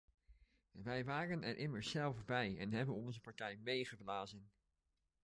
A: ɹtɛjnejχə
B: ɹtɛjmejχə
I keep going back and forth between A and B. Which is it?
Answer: B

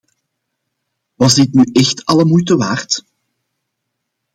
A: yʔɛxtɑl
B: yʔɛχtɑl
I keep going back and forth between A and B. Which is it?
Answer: A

